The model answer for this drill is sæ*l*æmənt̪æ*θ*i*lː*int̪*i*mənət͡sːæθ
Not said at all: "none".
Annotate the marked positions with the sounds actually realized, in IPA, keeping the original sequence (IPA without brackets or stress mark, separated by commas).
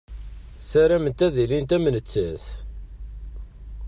ɾ, ð, l, æ